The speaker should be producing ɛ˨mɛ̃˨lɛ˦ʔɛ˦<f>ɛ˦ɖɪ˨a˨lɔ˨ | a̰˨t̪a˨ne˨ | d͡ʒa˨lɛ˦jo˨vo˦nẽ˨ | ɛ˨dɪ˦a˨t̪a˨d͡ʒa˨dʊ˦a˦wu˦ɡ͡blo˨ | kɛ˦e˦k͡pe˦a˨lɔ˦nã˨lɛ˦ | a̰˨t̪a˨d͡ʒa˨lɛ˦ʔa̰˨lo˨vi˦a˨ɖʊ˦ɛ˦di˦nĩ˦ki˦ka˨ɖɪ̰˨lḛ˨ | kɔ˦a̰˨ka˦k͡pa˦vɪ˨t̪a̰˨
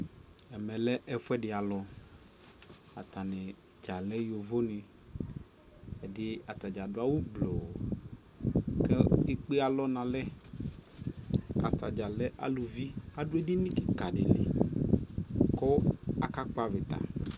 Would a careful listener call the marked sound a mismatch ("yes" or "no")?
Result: no